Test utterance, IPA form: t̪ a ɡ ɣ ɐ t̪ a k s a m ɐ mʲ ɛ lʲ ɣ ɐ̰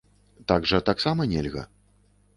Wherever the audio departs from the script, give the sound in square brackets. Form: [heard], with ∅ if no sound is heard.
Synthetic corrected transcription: t̪ a ɡ [ʐ] ɐ t̪ a k s a m ɐ [nʲ] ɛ lʲ ɣ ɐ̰